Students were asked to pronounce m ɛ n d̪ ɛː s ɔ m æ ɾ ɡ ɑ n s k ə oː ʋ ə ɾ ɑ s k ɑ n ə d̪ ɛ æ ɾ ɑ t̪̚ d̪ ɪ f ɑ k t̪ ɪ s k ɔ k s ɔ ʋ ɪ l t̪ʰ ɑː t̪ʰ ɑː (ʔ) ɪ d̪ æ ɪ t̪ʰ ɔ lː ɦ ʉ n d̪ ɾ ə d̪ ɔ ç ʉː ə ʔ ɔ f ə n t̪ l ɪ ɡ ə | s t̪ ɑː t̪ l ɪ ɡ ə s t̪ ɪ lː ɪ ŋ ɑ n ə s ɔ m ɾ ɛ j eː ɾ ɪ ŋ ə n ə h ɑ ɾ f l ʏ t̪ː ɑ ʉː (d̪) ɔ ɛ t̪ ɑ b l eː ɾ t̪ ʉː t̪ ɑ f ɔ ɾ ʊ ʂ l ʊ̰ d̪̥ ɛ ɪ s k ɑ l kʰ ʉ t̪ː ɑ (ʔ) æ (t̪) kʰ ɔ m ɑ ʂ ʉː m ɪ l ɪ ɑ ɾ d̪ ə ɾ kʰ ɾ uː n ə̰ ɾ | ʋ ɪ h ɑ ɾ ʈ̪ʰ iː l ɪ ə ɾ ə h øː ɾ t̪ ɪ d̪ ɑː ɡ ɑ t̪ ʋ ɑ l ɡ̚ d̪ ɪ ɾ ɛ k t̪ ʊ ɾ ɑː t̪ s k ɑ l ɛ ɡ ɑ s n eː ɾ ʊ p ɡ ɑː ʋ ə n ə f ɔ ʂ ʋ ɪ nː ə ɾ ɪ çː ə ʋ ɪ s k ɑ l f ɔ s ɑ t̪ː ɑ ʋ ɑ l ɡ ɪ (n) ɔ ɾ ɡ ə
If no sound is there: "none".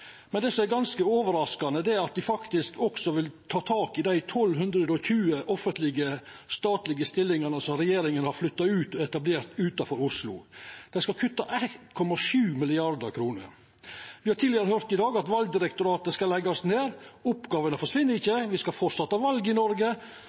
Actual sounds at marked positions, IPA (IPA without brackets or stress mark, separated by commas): k, t̪, ʔ, t̪, n